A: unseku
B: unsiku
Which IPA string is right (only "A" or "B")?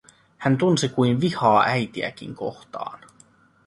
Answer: B